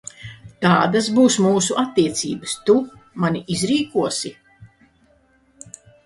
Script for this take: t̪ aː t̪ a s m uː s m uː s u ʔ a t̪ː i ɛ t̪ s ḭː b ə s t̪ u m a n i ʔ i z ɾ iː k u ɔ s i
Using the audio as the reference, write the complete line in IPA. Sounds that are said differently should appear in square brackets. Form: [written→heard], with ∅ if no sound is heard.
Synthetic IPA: t̪ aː [t̪→d̪] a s [m→b] uː s m uː s u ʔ a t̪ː i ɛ t̪ s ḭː b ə s t̪ u m a n i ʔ i z ɾ iː k u ɔ s i